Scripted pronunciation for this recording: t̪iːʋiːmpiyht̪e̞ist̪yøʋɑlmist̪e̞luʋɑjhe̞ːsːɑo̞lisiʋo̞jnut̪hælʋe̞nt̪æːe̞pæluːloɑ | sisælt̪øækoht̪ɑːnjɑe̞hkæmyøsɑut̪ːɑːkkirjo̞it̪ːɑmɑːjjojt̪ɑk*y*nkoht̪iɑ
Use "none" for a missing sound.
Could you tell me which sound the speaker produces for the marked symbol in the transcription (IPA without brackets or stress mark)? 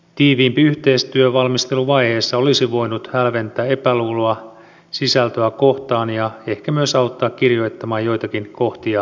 i